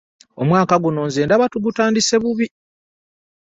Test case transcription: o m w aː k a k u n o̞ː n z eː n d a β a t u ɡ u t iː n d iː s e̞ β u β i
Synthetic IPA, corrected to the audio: o m w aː k a ɡ u n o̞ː n z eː n d a β a t u ɡ u t aː n d i s e̞ β u β i